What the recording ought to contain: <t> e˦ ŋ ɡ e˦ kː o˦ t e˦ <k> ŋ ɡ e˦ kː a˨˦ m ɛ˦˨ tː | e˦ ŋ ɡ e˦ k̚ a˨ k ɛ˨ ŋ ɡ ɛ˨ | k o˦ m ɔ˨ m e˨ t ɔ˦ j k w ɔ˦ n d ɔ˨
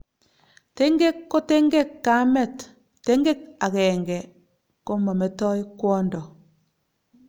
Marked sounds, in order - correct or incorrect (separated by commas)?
correct, incorrect